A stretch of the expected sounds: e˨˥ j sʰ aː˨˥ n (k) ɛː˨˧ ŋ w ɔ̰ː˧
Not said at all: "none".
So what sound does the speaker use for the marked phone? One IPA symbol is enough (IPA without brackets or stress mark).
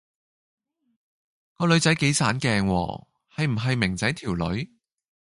k